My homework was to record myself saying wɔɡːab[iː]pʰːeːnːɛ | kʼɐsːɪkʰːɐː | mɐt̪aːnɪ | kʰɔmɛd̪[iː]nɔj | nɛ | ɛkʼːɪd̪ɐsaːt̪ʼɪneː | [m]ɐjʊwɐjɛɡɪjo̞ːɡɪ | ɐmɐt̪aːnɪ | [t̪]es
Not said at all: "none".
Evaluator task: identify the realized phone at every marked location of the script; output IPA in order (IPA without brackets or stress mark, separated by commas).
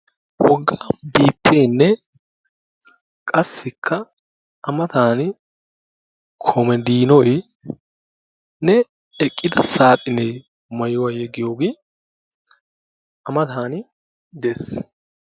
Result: iː, iː, m, d̪